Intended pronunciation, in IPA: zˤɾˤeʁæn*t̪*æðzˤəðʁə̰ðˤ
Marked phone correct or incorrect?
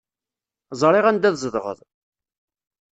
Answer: incorrect